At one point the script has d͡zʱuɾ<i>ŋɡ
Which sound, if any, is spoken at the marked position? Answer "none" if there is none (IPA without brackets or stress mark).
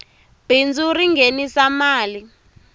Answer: i